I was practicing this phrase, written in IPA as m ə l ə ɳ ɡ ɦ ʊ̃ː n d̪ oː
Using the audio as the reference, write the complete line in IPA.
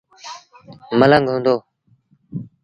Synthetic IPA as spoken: m ə l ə ŋ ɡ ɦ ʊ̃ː n d̪ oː